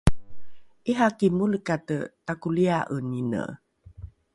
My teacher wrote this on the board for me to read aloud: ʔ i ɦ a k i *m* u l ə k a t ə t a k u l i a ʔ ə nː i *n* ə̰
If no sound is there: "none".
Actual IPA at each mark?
m, n

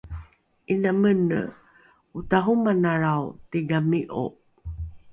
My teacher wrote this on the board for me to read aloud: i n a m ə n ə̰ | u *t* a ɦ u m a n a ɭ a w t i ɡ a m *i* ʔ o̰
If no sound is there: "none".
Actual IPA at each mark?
t, i

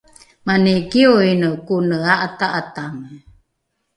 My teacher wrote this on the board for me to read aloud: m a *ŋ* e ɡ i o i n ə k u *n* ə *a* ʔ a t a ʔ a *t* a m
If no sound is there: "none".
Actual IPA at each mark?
n, n, a, t

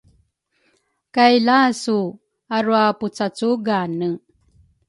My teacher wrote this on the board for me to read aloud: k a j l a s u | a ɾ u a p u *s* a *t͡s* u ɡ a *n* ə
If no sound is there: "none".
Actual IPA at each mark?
t͡s, t͡s, n

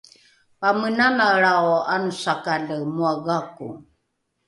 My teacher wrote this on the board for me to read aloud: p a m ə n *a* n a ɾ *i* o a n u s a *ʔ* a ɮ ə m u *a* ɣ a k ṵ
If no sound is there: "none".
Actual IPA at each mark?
a, a, k, a

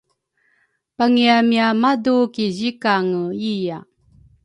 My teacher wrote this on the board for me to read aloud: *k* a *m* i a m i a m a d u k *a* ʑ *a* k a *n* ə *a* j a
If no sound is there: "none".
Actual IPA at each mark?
p, ŋ, i, i, ŋ, i

